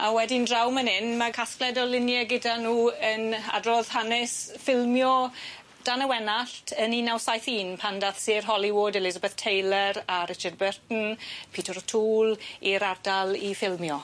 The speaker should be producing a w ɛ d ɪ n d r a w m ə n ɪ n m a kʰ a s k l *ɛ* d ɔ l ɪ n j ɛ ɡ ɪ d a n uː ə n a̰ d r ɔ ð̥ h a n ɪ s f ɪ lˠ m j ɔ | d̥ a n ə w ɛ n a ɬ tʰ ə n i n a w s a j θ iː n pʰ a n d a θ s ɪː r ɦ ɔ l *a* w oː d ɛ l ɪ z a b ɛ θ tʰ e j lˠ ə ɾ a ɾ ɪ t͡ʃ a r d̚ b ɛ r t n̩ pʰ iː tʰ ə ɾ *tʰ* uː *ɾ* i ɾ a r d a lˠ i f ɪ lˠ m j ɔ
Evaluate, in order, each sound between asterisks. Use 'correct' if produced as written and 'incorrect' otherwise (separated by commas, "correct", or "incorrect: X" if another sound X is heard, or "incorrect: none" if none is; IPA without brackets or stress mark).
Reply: correct, incorrect: i, correct, incorrect: l